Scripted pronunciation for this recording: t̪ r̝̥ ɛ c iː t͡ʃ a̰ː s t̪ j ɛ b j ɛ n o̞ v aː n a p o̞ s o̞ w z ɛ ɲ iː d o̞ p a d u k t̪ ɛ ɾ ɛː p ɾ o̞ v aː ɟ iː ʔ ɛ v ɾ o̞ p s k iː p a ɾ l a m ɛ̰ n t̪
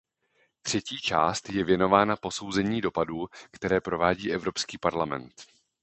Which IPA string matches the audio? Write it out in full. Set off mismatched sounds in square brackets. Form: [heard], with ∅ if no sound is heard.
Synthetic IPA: t̪ r̝̥ ɛ c iː t͡ʃ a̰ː s t̪ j ɛ [v] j ɛ n o̞ v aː n a p o̞ s o̞ w z ɛ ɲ iː d o̞ p a d [uː] k t̪ ɛ ɾ ɛː p ɾ o̞ v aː ɟ iː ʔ ɛ v ɾ o̞ p s k iː p a ɾ l a m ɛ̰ n t̪

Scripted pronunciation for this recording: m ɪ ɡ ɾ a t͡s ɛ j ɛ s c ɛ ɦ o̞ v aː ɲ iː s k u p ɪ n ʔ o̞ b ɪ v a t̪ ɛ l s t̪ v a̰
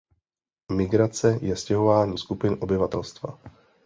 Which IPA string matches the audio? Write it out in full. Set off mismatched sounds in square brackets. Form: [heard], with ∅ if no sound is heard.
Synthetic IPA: m ɪ ɡ ɾ a t͡s ɛ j ɛ s c ɛ ɦ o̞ v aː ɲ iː s k u p ɪ n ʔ o̞ b ɪ v a t̪ ɛ l s t̪ v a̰

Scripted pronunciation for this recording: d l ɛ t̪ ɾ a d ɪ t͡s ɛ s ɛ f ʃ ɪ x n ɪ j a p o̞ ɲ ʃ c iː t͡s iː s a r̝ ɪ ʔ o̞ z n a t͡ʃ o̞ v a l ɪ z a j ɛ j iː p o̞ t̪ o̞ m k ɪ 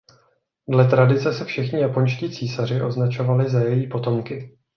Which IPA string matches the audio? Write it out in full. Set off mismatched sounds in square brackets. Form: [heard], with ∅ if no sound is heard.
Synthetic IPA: d l ɛ t̪ ɾ a d ɪ t͡s ɛ s ɛ f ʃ ɪ x [ɲ] ɪ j a p o̞ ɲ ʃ c iː t͡s iː s a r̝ ɪ ʔ o̞ z n a t͡ʃ o̞ v a l ɪ z a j ɛ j iː p o̞ t̪ o̞ m k ɪ

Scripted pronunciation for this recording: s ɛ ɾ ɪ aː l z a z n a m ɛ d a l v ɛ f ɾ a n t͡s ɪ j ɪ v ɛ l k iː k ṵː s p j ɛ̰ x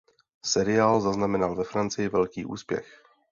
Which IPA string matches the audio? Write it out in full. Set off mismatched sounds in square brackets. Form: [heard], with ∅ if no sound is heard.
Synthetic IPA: s ɛ ɾ ɪ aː l z a z n a m ɛ [n] a l v ɛ f ɾ a n t͡s ɪ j ɪ v ɛ l k iː [ʔ] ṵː s p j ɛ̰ x

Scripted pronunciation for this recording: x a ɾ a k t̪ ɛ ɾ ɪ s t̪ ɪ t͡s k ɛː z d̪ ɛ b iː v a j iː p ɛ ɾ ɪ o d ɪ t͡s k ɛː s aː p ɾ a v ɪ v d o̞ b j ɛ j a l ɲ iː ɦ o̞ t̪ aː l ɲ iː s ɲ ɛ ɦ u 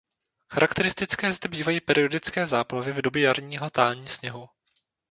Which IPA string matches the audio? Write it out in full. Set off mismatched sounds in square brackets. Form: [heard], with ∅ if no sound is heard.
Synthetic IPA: x a ɾ a k t̪ ɛ ɾ ɪ s t̪ ɪ t͡s k ɛː z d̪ ɛ b iː v a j iː p ɛ ɾ ɪ o d ɪ t͡s k ɛː [z] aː p [l] a v ɪ v d o̞ b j ɛ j a [ɾ] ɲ iː ɦ o̞ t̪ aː l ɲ iː s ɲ ɛ ɦ u

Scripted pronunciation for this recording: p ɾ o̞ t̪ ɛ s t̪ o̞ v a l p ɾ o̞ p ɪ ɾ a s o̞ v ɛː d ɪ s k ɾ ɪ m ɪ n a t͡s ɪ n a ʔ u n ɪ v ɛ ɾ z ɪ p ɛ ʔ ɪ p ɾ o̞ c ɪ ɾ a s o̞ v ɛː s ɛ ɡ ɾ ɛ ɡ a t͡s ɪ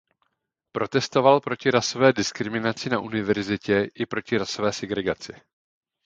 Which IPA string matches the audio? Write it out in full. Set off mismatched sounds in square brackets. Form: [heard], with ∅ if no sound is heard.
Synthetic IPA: p ɾ o̞ t̪ ɛ s t̪ o̞ v a l p ɾ o̞ [c] ɪ ɾ a s o̞ v ɛː d ɪ s k ɾ ɪ m ɪ n a t͡s ɪ n a ʔ u n ɪ v ɛ ɾ z ɪ [c] ɛ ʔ ɪ p ɾ o̞ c ɪ ɾ a s o̞ v ɛː s ɛ ɡ ɾ ɛ ɡ a t͡s ɪ

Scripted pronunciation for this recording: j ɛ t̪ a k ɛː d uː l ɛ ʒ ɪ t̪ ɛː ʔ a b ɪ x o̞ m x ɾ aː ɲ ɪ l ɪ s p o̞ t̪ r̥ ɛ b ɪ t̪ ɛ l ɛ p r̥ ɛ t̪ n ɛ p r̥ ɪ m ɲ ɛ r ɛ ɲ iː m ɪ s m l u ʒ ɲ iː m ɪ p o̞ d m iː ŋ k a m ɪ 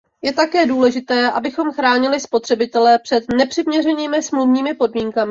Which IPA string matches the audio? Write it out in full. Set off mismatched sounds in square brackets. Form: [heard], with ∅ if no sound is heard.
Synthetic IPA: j ɛ t̪ a k ɛː d uː l ɛ ʒ ɪ t̪ ɛː ʔ a b ɪ x o̞ m x ɾ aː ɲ ɪ l ɪ s p o̞ t̪ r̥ ɛ b ɪ t̪ ɛ l ɛ p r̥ ɛ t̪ n ɛ p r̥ ɪ m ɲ ɛ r ɛ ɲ iː m ɪ s m l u [v] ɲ iː m ɪ p o̞ d m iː ŋ k a m ɪ

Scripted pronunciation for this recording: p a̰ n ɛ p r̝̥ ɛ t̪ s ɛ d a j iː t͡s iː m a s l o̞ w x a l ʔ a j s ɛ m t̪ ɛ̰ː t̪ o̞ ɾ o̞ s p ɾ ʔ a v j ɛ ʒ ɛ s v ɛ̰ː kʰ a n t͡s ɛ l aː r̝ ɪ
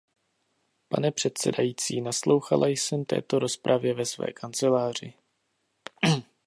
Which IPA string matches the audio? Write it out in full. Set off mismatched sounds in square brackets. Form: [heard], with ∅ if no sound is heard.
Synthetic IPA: p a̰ n ɛ p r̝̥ ɛ t̪ s ɛ d a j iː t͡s iː [n] a s l o̞ w x a l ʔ a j s ɛ m t̪ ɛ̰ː t̪ o̞ ɾ o̞ s p ɾ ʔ a v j ɛ [v] ɛ s v ɛ̰ː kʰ a n t͡s ɛ l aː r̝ ɪ

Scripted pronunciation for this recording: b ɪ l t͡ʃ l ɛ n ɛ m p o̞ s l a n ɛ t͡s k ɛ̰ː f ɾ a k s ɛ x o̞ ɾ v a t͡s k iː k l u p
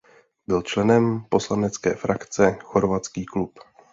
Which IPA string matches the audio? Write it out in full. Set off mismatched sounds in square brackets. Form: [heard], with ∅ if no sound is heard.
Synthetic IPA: b ɪ l t͡ʃ l ɛ n ɛ m p o̞ s l a n ɛ t͡s k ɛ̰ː f ɾ a k [t͡s] ɛ x o̞ ɾ v a t͡s k iː k l u p

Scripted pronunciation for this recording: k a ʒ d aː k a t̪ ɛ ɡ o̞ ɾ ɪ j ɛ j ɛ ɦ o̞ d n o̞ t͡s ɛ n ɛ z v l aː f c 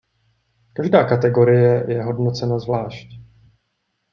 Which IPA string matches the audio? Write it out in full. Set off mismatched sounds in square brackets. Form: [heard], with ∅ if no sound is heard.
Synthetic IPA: k a ʒ d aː k a t̪ ɛ ɡ o̞ ɾ ɪ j ɛ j ɛ ɦ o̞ d n o̞ t͡s ɛ n [a] z v l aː [ʃ] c

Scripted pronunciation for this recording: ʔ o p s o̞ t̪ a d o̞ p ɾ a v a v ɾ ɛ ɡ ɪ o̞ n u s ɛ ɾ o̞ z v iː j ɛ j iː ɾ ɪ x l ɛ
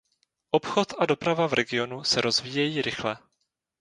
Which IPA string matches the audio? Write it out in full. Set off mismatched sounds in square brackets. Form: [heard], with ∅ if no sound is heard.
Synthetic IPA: ʔ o p [x] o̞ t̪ a d o̞ p ɾ a v a v ɾ ɛ ɡ ɪ o̞ n u s ɛ ɾ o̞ z v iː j ɛ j iː ɾ ɪ x l ɛ

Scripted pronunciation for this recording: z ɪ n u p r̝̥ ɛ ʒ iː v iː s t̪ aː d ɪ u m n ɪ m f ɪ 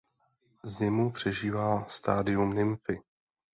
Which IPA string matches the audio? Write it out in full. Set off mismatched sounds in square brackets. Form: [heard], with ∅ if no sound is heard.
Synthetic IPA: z ɪ [m] u p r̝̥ ɛ ʒ iː v [aː] s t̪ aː d ɪ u m n ɪ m f ɪ

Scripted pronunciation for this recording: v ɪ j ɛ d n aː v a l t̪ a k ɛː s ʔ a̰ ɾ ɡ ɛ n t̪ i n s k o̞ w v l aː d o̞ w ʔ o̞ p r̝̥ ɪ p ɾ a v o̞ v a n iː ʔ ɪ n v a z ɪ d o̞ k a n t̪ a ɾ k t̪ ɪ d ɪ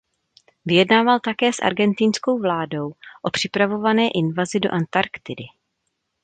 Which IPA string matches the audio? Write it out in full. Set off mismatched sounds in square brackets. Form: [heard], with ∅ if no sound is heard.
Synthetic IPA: v ɪ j ɛ d n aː v a l t̪ a k ɛː s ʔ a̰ ɾ ɡ ɛ n t̪ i n s k o̞ w v l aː d o̞ w ʔ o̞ p r̝̥ ɪ p ɾ a v o̞ v a n [ɛː] ʔ ɪ n v a z ɪ d o̞ [ʔ] a n t̪ a ɾ k t̪ ɪ d ɪ

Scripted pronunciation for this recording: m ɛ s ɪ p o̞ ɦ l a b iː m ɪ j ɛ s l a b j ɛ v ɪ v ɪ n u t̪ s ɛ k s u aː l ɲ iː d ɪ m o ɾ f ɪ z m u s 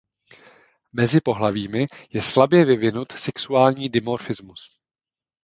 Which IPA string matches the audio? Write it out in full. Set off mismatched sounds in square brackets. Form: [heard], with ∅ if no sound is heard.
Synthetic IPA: m ɛ [z] ɪ p o̞ ɦ l a [v] iː m ɪ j ɛ s l a b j ɛ v ɪ v ɪ n u t̪ s ɛ k s u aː l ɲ iː d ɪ m o ɾ f ɪ z m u s

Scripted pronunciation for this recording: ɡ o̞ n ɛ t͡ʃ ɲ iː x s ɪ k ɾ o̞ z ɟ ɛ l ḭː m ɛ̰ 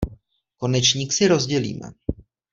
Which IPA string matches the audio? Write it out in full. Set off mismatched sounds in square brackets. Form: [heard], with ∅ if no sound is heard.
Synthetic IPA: [k] o̞ n ɛ t͡ʃ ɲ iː [k] s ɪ [∅] ɾ o̞ z ɟ ɛ l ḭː m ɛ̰

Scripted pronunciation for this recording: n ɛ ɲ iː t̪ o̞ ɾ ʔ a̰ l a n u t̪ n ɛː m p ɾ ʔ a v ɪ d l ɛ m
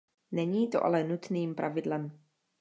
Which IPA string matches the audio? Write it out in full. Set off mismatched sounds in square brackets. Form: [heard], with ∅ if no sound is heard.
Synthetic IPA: n ɛ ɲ iː t̪ o̞ [∅] ʔ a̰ l [ɛ] n u t̪ n [iː] m p ɾ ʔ a v ɪ d l ɛ m

